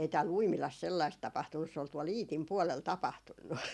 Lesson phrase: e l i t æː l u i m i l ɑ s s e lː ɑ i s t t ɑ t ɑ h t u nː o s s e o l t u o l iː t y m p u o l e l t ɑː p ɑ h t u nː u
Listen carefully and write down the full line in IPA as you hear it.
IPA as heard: e i t æː l u i m i l ɑ s s e lː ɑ i s t t ɑ p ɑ h t u nː u s s e o l t u o l iː t i m p u o l e l t ɑ p ɑ h t u nː u

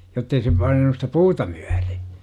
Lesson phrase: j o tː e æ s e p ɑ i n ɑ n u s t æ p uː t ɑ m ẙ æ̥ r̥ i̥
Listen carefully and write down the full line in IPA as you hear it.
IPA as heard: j o tː e i s e p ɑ i n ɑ n u s t æ p uː t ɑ m ẙ æ̥ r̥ i̥

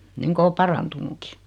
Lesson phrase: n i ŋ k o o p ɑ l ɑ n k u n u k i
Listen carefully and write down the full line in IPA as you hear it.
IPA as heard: n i ŋ k o o p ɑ r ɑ n t u n u k i

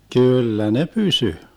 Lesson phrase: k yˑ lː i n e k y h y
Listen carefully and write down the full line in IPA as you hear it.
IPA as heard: k yˑ lː æ n e p y s y

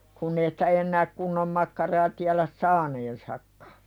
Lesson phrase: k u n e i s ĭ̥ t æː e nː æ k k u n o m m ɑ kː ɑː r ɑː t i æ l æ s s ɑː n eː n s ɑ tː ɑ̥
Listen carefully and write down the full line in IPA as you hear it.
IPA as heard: k u nː e i s ĭ̥ t æ e nː æː k k u nː o m m ɑ kː ɑ r ɑː t i æ l æ s s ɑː n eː n s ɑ kː ɑ̥

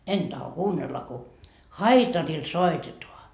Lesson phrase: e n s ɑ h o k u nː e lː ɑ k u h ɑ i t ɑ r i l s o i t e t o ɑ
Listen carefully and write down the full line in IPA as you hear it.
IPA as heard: e n t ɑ h o k uː nː e lː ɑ k u h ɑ i t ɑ r i l s o i t e t o ɑ

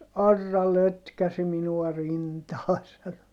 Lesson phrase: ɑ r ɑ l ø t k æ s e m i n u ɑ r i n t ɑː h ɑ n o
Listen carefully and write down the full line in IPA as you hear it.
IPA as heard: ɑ rː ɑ l ø t k æ s i m i n u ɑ r i n t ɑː s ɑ n o

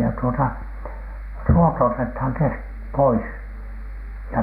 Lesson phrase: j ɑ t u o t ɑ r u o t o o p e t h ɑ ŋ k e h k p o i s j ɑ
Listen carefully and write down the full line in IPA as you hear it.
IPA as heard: j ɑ t u o t ɑ r u o t o o t e t h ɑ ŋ k e s k p o i s j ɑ

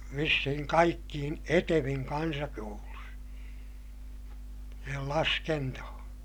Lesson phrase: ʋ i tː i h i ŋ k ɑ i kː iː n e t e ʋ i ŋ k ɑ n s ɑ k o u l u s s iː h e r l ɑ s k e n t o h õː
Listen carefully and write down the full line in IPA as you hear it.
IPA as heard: ʋ i sː i h i ŋ k ɑ i kː iː n e t e ʋ i ŋ k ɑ n s ɑ k o u l u s s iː h e l l ɑ s k e n t o h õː

